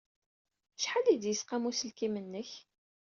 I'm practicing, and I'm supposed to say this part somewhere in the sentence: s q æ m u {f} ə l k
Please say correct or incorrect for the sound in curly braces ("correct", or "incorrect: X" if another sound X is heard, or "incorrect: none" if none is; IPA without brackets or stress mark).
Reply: incorrect: s